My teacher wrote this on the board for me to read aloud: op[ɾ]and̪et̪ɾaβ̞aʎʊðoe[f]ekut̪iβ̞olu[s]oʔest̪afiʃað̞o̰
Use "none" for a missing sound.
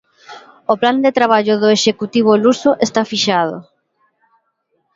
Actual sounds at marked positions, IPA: l, ʃ, s

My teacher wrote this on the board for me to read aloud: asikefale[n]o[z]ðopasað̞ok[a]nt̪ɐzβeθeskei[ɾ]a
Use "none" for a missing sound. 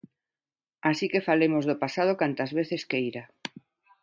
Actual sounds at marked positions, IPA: m, z, a, ɾ

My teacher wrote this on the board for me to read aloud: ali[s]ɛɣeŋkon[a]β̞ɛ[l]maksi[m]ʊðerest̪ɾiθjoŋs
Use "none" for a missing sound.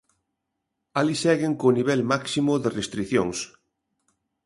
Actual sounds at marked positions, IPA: s, i, l, m

